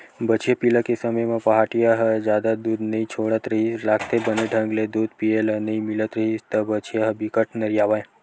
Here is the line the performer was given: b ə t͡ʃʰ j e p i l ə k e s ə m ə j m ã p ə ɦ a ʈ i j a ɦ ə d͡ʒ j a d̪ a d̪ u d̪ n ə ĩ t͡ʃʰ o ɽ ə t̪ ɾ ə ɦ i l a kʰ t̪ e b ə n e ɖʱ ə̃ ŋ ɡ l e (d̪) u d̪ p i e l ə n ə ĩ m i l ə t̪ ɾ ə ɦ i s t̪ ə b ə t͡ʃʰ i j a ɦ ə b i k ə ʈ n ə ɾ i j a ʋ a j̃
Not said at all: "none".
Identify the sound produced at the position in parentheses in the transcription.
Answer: d̪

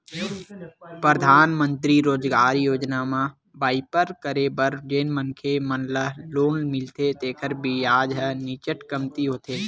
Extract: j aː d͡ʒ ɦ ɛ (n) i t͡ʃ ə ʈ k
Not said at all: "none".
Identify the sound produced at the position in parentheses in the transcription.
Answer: n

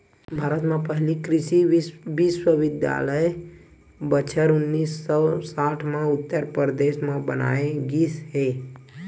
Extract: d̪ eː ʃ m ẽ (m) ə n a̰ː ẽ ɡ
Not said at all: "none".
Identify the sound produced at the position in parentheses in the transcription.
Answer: b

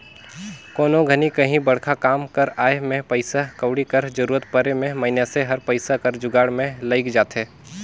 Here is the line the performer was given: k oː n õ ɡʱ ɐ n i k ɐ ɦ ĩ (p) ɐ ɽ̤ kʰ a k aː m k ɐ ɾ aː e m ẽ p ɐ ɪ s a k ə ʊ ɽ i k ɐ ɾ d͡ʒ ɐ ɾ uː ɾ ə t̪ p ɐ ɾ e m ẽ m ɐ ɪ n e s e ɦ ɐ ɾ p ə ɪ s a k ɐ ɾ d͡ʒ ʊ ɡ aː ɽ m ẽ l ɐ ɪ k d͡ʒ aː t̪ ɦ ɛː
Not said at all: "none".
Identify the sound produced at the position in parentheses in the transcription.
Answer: b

